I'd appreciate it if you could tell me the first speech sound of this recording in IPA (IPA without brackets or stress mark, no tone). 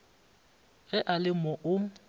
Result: ɣ